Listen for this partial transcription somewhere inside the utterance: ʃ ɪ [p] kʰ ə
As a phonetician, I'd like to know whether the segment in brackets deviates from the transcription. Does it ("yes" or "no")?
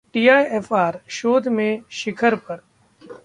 yes